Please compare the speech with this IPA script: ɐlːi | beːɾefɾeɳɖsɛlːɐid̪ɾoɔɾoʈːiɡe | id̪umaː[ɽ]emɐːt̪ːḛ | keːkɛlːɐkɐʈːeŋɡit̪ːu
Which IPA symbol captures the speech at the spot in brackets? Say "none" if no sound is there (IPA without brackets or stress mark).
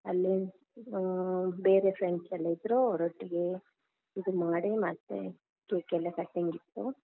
ɽ